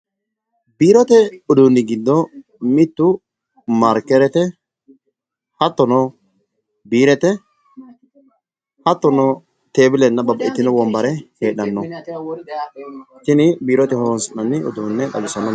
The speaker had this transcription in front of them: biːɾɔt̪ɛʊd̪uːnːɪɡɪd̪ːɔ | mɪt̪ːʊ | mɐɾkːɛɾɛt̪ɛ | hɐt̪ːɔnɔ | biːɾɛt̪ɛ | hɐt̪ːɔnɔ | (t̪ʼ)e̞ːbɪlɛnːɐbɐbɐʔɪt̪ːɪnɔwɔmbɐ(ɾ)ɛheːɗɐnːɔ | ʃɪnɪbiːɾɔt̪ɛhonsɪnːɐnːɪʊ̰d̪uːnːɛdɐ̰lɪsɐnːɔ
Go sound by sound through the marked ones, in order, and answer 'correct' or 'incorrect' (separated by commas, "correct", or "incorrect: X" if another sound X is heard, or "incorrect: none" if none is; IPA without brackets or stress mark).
incorrect: t̪, correct